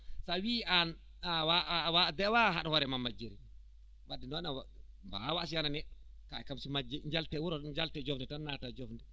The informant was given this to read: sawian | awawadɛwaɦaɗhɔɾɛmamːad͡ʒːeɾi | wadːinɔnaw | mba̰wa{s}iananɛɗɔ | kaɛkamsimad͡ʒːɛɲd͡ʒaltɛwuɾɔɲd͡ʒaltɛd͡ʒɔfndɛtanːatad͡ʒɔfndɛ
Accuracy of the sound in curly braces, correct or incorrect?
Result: correct